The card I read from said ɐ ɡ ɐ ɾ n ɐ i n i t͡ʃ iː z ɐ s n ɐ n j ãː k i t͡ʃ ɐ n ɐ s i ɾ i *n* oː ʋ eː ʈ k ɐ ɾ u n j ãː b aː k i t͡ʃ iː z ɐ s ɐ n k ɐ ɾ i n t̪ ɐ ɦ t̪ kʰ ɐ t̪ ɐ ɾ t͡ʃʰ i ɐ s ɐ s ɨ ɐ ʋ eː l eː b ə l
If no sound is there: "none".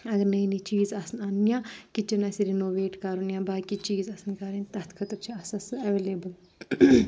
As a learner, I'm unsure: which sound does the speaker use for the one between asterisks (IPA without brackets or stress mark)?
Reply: n